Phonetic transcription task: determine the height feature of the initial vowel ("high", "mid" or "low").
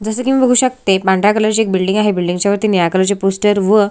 mid